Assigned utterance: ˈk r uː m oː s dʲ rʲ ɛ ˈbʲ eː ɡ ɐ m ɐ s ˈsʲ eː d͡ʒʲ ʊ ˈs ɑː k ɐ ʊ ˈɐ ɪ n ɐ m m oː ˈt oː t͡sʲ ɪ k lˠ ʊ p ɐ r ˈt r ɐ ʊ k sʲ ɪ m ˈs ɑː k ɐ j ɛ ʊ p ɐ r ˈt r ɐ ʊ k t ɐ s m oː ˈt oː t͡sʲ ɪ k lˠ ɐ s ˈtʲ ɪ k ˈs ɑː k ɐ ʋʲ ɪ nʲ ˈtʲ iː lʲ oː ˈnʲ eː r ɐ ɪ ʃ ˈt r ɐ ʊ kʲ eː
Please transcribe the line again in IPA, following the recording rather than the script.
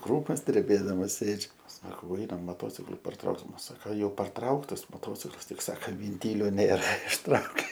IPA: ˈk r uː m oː s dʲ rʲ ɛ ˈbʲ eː d ɐ m ɐ s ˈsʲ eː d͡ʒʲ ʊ ˈs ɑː k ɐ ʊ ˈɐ ɪ n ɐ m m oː ˈt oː t͡sʲ ɪ k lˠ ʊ p ɐ r ˈt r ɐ ʊ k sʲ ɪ m ˈs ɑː k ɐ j ɛ ʊ p ɐ r ˈt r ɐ ʊ k t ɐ s m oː ˈt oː t͡sʲ ɪ k lˠ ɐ s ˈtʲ ɪ k ˈs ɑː k ɐ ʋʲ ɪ nʲ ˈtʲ iː lʲ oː ˈnʲ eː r ɐ ɪ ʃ ˈt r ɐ ʊ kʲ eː

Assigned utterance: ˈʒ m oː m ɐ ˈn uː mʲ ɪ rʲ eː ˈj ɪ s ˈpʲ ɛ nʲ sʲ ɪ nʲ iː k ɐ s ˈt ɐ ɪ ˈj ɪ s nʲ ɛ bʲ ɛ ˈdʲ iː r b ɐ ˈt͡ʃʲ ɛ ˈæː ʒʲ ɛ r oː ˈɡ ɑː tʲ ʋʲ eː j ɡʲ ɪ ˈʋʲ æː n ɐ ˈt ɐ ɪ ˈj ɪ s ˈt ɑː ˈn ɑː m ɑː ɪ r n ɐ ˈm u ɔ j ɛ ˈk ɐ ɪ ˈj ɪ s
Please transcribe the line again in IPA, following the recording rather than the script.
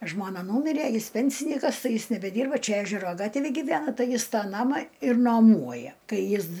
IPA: ˈʒ m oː n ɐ ˈn uː mʲ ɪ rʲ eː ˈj ɪ s ˈpʲ ɛ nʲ sʲ ɪ nʲ iː k ɐ s ˈt ɐ ɪ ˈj ɪ s nʲ ɛ bʲ ɛ ˈdʲ iː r b ɐ ˈt͡ʃʲ ɛ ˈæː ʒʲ ɛ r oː ˈɡ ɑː tʲ ʋʲ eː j ɡʲ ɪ ˈʋʲ æː n ɐ ˈt ɐ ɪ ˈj ɪ s ˈt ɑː ˈn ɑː m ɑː ɪ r n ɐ ˈm u ɔ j ɛ ˈk ɐ ɪ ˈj ɪ s

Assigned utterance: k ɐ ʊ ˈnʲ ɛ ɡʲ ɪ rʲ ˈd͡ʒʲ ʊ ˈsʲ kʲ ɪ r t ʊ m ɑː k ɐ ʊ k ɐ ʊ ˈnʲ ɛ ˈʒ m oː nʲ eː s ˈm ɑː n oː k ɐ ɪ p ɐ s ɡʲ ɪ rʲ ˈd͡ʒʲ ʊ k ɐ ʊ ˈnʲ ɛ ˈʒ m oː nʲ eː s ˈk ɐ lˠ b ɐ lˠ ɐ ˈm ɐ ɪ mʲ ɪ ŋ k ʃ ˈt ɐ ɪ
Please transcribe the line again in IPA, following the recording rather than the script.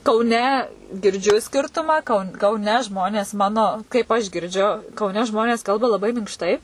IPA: k ɐ ʊ ˈnʲ ɛ ɡʲ ɪ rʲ ˈd͡ʒʲ ʊ ˈsʲ kʲ ɪ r t ʊ m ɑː k ɐ ʊ k ɐ ʊ ˈnʲ ɛ ˈʒ m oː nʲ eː s ˈm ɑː n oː k ɐ ɪ p ɐ ʃ ɡʲ ɪ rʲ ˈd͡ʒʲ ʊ k ɐ ʊ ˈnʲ ɛ ˈʒ m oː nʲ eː s ˈk ɐ lˠ b ɐ lˠ ɐ ˈb ɐ ɪ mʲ ɪ ŋ k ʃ ˈt ɐ ɪ

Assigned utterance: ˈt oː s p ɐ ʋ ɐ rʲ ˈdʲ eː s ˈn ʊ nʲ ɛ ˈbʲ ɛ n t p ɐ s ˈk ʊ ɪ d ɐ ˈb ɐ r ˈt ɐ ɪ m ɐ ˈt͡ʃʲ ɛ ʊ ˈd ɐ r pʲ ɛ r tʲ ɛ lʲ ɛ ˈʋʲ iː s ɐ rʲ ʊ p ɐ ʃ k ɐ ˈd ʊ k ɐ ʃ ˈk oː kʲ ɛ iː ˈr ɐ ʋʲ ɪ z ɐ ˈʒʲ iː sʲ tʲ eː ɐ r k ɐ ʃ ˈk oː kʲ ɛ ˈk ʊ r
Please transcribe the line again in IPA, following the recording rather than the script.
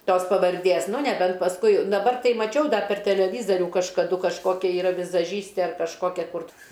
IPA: ˈt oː s p ɐ ʋ ɐ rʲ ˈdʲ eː s ˈn ʊ nʲ ɛ ˈbʲ ɛ n t p ɐ s ˈk ʊ ɪ d ɐ ˈb ɐ r ˈt ɐ ɪ m ɐ ˈt͡ʃʲ ɛ ʊ ˈd ɐ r pʲ ɛ r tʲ ɛ lʲ ɛ ˈʋʲ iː z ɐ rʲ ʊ k ɐ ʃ k ɐ ˈd ʊ k ɐ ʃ ˈk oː kʲ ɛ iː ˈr ɐ ʋʲ ɪ z ɐ ˈʒʲ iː sʲ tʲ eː ɐ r k ɐ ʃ ˈk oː kʲ ɛ ˈk ʊ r

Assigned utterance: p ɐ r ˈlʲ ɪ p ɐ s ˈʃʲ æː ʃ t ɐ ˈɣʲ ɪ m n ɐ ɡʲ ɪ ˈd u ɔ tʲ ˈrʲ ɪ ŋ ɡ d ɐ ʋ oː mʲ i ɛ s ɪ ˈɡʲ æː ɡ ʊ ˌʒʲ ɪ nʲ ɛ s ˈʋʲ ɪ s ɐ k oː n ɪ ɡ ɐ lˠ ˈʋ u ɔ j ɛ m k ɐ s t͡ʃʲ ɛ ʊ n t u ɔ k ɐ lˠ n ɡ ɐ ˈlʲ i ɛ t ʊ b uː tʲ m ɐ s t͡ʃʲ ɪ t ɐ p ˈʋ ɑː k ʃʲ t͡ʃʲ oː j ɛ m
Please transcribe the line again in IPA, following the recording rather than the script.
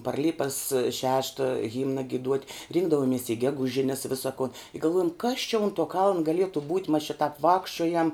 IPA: p ɐ r ˈlʲ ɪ p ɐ s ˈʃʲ æː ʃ t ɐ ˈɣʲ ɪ m n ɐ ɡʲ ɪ ˈd u ɔ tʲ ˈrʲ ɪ ŋ ɡ d ɐ ʋ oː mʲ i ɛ s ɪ ˈɡʲ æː ɡ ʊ ˌʒʲ ɪ nʲ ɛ s ˈʋʲ ɪ s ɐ k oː n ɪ ɡ ɐ lˠ ˈʋ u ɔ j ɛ m k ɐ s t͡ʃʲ ɛ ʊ n t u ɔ k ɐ lˠ n ɡ ɐ ˈlʲ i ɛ t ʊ b uː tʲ m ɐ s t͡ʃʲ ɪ t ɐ p ˈʋ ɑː k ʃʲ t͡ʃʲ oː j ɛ m

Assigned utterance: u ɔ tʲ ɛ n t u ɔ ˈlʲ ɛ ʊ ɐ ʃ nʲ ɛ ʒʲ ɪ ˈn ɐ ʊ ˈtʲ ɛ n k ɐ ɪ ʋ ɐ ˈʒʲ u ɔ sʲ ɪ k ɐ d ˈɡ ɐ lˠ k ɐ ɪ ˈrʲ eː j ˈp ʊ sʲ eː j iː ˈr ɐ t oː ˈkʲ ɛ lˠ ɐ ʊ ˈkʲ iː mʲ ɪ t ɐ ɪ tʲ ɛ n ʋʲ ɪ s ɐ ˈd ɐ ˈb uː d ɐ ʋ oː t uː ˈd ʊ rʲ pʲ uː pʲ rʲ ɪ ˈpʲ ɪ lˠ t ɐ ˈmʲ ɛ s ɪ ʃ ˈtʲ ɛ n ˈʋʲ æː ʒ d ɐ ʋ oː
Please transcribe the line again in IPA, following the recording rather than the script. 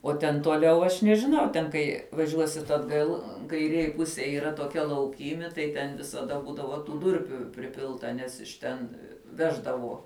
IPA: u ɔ tʲ ɛ n t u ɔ ˈlʲ ɛ ʊ ɐ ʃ nʲ ɛ ʒʲ ɪ ˈn ɐ ʊ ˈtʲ ɛ n k ɐ ɪ ʋ ɐ ˈʒʲ u ɔ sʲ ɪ t ɐ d ˈɡ ɐ lˠ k ɐ ɪ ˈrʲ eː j ˈp ʊ sʲ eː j iː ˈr ɐ t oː ˈkʲ ɛ lˠ ɐ ʊ ˈkʲ iː mʲ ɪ t ɐ ɪ tʲ ɛ n ʋʲ ɪ s ɐ ˈd ɐ ˈb uː d ɐ ʋ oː t uː ˈd ʊ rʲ pʲ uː pʲ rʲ ɪ ˈpʲ ɪ lˠ t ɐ ˈnʲ ɛ s ɪ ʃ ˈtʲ ɛ n ˈʋʲ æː ʒ d ɐ ʋ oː

